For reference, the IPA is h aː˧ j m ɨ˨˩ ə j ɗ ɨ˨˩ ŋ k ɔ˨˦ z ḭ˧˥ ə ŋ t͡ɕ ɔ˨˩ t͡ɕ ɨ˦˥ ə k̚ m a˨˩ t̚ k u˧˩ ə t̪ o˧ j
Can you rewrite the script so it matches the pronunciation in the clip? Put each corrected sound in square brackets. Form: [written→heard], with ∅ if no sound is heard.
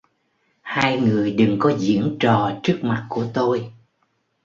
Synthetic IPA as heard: h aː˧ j [m→ŋ] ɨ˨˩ ə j ɗ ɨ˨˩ ŋ k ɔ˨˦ z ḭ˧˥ ə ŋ t͡ɕ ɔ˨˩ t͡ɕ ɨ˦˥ ə k̚ m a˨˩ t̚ k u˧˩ ə t̪ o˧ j